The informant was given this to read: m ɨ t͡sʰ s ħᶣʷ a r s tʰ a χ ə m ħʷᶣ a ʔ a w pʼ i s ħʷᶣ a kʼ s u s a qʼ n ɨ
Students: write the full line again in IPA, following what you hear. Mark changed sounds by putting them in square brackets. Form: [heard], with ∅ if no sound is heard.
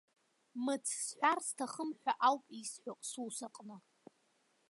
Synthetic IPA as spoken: m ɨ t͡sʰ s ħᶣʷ a r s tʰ a χ ə m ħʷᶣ a ʔ a w pʼ i s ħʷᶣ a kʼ s u s a qʼ n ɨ